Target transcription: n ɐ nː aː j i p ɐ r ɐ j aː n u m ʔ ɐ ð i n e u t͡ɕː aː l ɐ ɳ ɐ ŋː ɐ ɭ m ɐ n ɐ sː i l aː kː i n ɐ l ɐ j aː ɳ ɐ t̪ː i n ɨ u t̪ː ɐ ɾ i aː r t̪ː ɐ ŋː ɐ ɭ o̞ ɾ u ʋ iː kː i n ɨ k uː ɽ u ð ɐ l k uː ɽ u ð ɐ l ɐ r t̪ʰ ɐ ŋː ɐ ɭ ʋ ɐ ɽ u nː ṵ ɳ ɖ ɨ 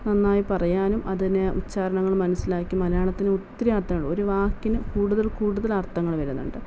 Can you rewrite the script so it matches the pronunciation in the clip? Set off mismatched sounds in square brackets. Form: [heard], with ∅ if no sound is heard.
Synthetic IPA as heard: n ɐ nː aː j i p ɐ r ɐ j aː n u m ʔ ɐ ð i n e u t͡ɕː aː [ɾ] ɐ ɳ ɐ ŋː ɐ ɭ m ɐ n ɐ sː i l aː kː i [m] ɐ l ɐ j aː ɳ ɐ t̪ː i n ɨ u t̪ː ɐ ɾ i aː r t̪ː ɐ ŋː ɐ ɭ o̞ ɾ u ʋ [aː] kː i n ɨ k uː ɽ u ð ɐ l k uː ɽ u ð ɐ l ɐ r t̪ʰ ɐ ŋː ɐ ɭ ʋ ɐ [ɾ] u nː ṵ ɳ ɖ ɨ